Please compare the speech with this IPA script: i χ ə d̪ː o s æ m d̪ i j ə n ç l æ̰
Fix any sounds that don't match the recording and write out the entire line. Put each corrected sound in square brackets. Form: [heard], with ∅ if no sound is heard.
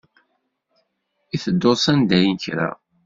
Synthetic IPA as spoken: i [θ] ə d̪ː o s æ [n] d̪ [æ] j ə n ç [ɾ] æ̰